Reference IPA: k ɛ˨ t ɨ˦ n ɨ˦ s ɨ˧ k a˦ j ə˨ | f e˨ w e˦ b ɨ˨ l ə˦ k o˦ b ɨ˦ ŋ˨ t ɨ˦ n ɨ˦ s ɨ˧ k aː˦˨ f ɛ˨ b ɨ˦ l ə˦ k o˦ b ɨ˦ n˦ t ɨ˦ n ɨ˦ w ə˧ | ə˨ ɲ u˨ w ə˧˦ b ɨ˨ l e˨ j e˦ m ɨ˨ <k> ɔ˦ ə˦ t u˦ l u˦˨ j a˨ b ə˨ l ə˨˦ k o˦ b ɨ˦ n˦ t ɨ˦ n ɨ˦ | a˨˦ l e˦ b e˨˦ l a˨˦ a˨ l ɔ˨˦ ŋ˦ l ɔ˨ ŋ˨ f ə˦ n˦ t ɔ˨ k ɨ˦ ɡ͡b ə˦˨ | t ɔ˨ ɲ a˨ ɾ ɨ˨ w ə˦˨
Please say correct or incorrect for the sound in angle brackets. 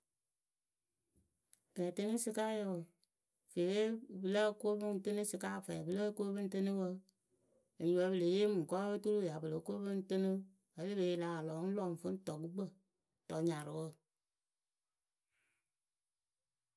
correct